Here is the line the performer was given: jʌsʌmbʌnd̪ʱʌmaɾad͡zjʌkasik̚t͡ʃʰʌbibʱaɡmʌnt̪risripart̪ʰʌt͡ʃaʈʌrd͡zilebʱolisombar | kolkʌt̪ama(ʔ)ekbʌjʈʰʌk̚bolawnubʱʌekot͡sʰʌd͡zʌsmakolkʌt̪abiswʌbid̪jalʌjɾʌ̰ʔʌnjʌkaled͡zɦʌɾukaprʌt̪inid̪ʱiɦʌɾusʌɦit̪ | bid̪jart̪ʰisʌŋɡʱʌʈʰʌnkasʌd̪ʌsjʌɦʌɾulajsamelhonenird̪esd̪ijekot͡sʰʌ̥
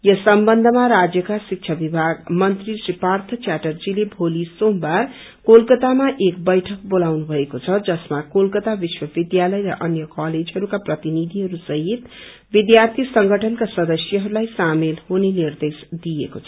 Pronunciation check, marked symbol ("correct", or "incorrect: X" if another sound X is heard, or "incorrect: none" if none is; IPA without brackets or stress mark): correct